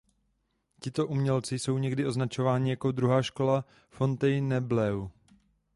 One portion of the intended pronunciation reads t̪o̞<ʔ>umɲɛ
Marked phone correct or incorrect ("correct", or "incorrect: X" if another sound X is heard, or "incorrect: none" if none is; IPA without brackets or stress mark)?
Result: correct